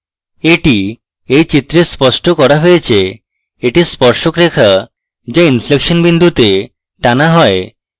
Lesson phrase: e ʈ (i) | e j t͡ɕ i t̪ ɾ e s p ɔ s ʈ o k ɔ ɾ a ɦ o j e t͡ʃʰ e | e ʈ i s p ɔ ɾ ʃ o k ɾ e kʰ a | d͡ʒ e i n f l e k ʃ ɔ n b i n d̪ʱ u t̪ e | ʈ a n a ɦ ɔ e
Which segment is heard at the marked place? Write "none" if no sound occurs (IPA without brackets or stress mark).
i